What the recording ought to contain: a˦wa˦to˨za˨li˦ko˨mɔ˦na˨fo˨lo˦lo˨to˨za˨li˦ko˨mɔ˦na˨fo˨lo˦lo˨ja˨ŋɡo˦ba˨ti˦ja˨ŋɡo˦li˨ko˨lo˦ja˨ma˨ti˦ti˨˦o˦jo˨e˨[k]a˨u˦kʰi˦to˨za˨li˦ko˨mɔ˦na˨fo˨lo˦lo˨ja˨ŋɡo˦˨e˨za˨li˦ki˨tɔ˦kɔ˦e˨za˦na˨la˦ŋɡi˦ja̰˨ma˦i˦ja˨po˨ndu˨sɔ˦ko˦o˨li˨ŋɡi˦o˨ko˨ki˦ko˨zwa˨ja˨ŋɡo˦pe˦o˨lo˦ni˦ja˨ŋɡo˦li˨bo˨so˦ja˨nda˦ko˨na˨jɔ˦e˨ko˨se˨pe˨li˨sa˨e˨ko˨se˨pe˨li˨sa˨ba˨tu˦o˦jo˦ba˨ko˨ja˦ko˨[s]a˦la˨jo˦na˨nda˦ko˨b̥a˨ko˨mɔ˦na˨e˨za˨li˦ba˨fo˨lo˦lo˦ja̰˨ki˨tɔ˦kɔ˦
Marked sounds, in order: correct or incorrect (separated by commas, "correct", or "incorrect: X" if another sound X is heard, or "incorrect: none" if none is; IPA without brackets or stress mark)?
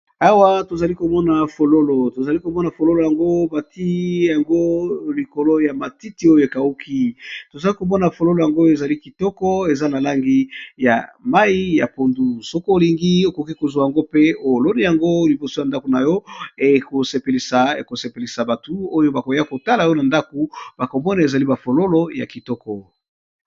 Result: correct, incorrect: t